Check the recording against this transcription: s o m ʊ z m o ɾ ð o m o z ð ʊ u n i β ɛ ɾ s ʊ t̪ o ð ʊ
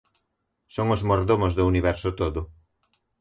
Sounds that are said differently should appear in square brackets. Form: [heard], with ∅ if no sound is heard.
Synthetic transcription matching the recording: s o [ŋ] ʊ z m o ɾ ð o m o z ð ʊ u n i β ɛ ɾ s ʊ t̪ o ð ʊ